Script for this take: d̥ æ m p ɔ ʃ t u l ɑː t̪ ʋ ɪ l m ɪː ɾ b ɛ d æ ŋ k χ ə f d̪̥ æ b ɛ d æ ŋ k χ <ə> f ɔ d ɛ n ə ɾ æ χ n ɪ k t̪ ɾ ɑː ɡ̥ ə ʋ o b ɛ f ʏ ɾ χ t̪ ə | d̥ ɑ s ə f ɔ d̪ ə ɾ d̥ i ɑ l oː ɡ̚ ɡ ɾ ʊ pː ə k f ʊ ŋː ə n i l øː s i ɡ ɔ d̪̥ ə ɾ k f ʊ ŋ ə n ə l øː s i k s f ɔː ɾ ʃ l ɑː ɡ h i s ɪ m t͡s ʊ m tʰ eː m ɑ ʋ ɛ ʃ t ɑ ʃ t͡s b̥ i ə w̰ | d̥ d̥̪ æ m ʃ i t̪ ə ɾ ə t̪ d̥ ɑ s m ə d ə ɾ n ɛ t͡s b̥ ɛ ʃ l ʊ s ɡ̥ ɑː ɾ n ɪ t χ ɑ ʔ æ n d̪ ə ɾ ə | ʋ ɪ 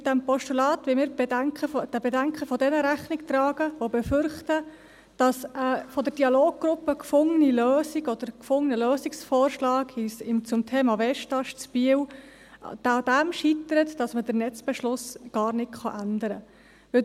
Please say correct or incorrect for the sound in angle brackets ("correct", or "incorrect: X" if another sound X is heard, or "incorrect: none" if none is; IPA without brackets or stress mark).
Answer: correct